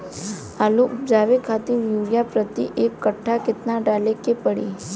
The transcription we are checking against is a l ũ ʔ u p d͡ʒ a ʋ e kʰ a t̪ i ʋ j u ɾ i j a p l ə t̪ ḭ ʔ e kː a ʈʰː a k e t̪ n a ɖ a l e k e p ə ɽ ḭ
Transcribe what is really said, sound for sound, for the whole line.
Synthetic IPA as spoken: a l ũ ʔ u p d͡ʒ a ʋ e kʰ a t̪ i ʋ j u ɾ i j a p ɾ ə t̪ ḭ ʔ e kː ə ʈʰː a k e t̪ n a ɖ a l e k e p ə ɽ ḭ